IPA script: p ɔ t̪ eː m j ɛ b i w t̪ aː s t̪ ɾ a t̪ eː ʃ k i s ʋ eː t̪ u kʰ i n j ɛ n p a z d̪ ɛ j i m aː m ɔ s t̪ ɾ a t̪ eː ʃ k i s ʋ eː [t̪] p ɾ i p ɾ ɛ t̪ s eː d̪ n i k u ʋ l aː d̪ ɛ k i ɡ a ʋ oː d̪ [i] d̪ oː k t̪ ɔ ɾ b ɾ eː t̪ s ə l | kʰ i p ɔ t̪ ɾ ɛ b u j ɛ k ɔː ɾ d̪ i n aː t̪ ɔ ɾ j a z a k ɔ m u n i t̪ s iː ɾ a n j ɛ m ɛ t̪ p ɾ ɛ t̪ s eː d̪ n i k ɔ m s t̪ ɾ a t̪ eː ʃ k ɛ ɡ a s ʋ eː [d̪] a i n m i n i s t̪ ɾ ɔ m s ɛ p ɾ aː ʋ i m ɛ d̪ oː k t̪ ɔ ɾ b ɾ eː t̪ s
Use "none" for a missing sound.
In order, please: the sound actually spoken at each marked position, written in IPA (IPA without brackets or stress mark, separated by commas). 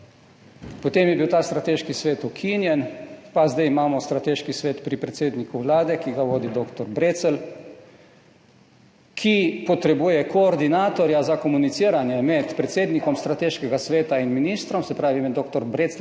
t̪, i, t̪